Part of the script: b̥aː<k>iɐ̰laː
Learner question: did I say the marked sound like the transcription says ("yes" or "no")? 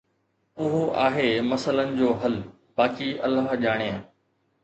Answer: yes